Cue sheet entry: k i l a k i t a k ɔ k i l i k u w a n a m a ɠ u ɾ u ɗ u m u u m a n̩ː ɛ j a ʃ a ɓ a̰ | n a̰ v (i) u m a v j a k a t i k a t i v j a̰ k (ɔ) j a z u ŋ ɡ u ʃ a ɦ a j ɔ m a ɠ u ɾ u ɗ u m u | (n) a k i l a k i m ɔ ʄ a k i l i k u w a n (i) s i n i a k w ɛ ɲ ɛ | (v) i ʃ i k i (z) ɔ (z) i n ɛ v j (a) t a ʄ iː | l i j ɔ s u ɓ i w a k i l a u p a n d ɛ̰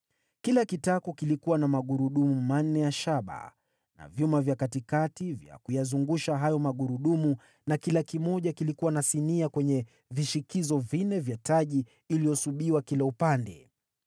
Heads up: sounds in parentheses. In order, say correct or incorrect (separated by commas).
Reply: incorrect, incorrect, correct, incorrect, correct, correct, incorrect, correct